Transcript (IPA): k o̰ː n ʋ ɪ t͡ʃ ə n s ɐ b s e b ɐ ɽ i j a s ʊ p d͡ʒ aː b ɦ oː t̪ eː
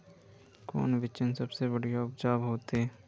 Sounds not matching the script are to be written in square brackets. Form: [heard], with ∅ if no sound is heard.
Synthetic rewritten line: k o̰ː n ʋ ɪ t͡ʃ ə n s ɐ b s e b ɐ ɽ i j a [∅] ʊ p d͡ʒ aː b ɦ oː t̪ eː

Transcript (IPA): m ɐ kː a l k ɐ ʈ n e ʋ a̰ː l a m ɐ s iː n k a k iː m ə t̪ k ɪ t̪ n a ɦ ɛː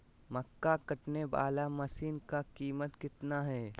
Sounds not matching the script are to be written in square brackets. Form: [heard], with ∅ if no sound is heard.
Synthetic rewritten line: m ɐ kː a [∅] k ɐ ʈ n e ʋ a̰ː l a m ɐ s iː n k a k iː m ə t̪ k ɪ t̪ n a ɦ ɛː

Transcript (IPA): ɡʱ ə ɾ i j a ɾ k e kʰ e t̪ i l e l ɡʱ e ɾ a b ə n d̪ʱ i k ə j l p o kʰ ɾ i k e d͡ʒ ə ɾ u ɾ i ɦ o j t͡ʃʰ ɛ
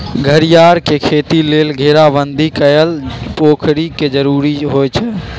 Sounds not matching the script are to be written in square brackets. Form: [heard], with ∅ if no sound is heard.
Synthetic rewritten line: ɡʱ ə ɾ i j a ɾ k e kʰ e t̪ i l e l ɡʱ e ɾ a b ə n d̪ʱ i k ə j l p o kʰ ɾ i k e d͡ʒ ə ɾ u ɾ i ɦ o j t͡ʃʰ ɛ

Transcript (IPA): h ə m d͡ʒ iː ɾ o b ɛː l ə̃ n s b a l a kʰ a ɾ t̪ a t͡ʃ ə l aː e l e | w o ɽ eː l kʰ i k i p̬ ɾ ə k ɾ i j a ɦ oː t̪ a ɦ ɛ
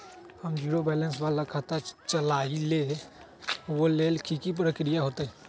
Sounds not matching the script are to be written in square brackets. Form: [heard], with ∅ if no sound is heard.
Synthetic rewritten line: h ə m d͡ʒ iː ɾ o b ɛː l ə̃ n s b a l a kʰ a [∅] t̪ a t͡ʃ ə l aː [i] l e | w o [l] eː l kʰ i k i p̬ ɾ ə k ɾ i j a ɦ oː t̪ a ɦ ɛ

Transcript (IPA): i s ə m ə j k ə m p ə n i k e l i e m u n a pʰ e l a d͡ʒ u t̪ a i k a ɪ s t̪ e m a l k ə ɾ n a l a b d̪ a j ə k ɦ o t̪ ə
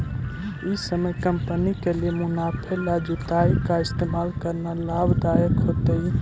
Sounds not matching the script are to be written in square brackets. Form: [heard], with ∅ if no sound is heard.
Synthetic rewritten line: i s ə m ə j k ə m p ə n i k e l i e m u n a pʰ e l a d͡ʒ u t̪ a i k a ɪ s t̪ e m a l k ə ɾ n a l a b d̪ a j ə k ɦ o t̪ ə

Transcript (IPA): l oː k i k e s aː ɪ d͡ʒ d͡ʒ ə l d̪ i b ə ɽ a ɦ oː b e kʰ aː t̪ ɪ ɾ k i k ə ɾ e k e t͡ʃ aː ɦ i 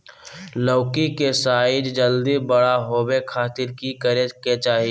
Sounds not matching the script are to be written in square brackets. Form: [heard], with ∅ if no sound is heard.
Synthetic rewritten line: l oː k i k e s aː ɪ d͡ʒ d͡ʒ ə l d̪ i b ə ɽ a ɦ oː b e kʰ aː t̪ ɪ ɾ k i k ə ɾ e k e t͡ʃ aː ɦ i

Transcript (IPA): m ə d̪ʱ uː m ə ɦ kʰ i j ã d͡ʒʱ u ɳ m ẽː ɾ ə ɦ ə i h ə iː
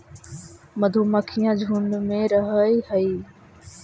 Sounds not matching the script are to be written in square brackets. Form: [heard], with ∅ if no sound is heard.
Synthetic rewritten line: m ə d̪ʱ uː m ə [∅] kʰ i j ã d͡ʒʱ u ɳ m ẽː ɾ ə ɦ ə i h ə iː

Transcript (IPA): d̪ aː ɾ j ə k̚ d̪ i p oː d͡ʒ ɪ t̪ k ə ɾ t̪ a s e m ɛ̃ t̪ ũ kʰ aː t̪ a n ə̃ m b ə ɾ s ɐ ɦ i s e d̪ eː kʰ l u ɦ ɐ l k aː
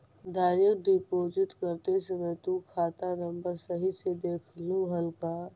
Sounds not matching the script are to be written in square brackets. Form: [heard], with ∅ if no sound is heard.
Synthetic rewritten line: d̪ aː ɾ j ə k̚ d̪ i p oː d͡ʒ ɪ t̪ k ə ɾ t̪ [e] s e m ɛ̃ t̪ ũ kʰ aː t̪ a n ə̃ m b ə ɾ s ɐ ɦ i s e d̪ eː kʰ l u ɦ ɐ l k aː

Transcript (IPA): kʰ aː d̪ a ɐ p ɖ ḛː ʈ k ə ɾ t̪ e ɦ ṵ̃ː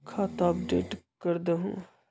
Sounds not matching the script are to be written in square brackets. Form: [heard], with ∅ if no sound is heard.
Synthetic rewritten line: kʰ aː [t̪] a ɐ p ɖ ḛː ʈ k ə ɾ [d̪] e ɦ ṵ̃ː

